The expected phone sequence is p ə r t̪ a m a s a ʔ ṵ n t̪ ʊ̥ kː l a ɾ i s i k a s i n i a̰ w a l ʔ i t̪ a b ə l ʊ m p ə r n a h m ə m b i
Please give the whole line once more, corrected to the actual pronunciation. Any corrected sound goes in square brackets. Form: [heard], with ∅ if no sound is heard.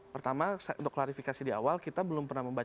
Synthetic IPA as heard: p ə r t̪ a m a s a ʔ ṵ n t̪ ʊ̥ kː l a ɾ i [f] i k a s i [d] i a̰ w a l [k] i t̪ a b ə l ʊ m p ə r n a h m ə m b [a]